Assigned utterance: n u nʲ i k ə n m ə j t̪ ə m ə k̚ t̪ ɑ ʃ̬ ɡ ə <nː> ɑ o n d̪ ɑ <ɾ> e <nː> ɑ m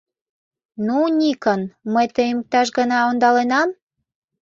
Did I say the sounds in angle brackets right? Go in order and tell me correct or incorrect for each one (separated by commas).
incorrect, incorrect, incorrect